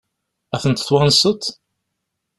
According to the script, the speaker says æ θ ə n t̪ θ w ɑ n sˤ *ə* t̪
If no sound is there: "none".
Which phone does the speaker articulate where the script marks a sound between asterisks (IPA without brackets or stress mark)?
ə